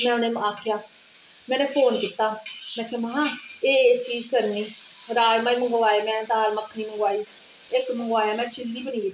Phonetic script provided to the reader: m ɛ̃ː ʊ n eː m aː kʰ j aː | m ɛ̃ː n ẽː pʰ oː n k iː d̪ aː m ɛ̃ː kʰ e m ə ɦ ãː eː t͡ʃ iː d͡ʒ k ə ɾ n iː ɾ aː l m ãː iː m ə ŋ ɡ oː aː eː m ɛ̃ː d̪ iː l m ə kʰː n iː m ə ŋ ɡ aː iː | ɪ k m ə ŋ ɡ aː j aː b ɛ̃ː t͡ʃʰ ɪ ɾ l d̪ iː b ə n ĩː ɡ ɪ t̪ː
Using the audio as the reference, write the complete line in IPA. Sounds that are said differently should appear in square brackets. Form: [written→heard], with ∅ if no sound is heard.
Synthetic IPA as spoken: m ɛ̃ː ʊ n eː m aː kʰ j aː | m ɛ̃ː n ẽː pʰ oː n k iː [d̪→t̪] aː m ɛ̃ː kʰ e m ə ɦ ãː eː t͡ʃ iː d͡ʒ k ə ɾ n iː ɾ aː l m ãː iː m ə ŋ ɡ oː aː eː m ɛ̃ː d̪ [iː→aː] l m ə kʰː n iː m ə ŋ ɡ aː iː | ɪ k m ə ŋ ɡ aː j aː [b→m] ɛ̃ː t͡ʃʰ ɪ [ɾ→∅] l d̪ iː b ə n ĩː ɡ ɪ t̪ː